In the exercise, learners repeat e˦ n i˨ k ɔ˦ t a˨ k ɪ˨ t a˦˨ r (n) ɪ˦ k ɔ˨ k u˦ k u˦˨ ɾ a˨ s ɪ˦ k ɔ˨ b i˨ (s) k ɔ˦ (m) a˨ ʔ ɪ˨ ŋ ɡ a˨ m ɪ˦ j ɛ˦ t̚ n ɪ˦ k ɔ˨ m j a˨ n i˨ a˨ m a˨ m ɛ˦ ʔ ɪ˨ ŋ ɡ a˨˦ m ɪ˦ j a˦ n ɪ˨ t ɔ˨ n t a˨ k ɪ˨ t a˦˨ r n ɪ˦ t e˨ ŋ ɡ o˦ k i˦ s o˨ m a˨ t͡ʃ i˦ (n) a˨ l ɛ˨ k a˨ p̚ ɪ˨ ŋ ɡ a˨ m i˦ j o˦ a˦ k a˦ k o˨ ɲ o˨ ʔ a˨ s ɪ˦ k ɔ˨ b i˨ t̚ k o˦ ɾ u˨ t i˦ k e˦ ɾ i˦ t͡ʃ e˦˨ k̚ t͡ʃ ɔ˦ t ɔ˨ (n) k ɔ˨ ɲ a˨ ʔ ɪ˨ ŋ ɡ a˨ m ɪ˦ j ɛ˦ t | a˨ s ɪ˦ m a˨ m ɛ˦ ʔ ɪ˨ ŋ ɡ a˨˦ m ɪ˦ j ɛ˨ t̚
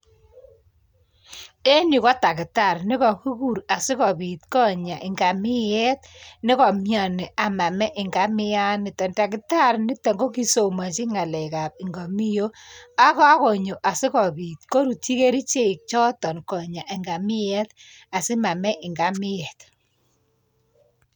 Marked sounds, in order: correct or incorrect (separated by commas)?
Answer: correct, incorrect, incorrect, incorrect, correct